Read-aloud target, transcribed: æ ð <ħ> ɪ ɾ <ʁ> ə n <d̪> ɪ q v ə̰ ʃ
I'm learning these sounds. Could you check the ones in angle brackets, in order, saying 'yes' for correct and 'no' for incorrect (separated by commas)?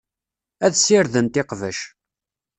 no, no, no